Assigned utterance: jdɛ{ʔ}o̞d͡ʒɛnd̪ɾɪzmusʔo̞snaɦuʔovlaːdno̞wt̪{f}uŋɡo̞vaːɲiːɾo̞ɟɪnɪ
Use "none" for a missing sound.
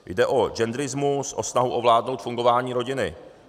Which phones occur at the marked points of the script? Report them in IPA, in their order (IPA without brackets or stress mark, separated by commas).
ʔ, f